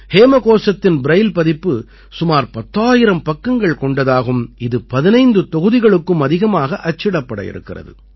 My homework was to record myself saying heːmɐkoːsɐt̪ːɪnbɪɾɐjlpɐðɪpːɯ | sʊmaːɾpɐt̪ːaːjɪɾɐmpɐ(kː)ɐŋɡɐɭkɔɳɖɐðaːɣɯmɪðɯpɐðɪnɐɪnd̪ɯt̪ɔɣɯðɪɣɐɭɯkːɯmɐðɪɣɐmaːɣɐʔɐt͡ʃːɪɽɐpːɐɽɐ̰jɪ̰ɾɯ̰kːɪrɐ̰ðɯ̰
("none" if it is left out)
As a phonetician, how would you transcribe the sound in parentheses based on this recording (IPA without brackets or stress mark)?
kː